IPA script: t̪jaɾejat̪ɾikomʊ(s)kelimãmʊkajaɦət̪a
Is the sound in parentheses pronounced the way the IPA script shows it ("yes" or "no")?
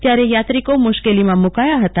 no